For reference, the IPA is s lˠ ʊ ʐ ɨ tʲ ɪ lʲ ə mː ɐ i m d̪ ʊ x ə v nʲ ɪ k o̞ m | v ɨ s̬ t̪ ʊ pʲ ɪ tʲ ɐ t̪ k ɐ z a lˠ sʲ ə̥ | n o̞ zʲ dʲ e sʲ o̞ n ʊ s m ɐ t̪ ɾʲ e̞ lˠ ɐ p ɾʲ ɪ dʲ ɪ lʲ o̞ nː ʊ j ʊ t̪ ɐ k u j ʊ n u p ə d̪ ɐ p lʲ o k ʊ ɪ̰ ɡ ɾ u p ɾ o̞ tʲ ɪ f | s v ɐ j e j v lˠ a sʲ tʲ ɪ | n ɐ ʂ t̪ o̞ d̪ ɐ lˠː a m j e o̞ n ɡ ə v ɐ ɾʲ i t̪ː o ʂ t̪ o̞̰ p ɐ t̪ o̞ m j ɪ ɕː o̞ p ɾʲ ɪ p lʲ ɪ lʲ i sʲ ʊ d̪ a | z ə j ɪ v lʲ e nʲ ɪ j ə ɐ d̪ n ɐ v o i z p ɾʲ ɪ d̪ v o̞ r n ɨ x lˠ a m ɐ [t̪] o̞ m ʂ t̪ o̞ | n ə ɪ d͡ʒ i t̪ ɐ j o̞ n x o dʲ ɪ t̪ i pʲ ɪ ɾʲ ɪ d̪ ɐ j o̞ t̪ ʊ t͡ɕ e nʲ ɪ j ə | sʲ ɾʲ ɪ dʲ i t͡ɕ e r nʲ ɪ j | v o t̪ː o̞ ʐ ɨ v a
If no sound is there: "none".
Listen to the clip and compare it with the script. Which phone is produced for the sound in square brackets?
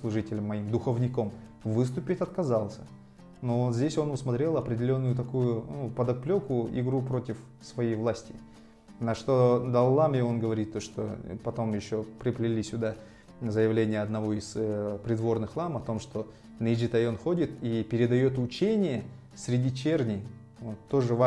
t̪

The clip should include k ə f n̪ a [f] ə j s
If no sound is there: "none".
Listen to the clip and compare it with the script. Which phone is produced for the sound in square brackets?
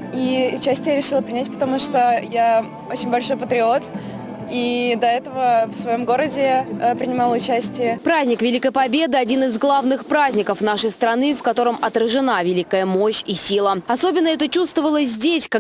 ʂ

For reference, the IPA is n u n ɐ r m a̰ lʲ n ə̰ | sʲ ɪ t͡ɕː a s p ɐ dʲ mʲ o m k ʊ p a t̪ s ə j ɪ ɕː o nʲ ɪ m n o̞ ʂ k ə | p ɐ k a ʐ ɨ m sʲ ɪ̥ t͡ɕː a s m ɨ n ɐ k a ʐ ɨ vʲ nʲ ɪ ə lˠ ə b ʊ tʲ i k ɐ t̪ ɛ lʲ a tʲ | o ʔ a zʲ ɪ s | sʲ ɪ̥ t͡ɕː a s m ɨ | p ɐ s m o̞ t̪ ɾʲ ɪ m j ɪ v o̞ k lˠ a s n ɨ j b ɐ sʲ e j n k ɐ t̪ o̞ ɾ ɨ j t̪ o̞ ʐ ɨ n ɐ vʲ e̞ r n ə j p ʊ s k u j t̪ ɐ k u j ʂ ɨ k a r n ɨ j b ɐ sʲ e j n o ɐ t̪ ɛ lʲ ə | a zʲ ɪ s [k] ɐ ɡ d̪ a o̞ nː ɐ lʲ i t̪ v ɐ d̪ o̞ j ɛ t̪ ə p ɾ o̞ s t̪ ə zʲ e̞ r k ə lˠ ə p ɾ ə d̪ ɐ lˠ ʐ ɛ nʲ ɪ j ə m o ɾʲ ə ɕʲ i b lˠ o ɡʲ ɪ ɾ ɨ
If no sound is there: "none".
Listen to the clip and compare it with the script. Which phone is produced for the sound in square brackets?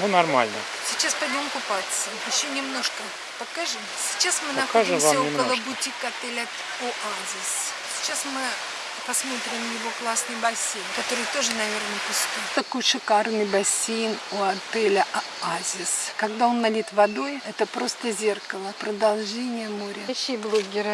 k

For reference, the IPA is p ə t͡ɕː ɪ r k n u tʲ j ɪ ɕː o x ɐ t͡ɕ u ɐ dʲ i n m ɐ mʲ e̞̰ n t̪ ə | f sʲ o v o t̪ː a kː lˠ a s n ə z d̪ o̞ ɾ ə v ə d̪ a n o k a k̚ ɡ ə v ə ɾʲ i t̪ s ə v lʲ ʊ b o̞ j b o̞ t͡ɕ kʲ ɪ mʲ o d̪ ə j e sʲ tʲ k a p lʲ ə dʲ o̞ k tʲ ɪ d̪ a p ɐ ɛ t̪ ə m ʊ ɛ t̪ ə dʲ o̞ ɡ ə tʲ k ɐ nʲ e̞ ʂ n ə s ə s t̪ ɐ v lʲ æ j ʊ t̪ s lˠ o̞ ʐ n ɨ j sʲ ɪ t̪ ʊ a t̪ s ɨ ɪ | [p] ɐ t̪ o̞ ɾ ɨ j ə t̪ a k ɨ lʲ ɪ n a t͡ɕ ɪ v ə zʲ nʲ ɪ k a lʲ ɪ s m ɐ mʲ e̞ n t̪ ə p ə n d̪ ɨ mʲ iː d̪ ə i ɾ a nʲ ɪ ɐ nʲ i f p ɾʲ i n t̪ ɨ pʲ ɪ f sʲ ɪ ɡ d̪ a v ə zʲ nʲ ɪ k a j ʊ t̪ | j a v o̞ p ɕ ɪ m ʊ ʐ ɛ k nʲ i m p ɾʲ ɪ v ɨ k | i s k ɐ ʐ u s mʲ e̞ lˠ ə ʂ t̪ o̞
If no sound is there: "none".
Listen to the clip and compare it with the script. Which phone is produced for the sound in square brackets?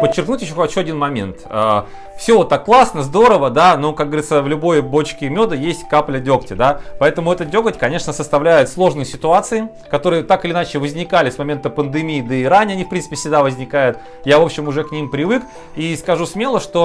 k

